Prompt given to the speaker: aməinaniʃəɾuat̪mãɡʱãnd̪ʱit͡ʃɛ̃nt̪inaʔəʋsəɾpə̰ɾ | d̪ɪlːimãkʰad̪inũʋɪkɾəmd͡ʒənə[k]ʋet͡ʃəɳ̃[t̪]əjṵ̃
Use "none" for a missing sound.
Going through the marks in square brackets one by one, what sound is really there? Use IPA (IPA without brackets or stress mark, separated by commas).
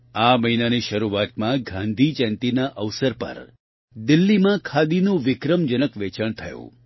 k, t̪ʰ